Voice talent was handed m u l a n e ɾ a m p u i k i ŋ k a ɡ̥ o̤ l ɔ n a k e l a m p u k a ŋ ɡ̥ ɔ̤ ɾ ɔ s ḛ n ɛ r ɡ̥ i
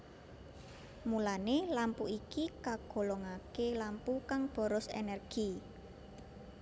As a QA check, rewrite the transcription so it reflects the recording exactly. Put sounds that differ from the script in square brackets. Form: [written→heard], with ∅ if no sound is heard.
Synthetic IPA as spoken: m u l a n e [ɾ→l] a m p u i k i [ŋ→∅] k a ɡ̥ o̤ l ɔ [n→ŋ] a k e l a m p u k a ŋ [ɡ̥→b̥] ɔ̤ ɾ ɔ s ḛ n ɛ r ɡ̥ i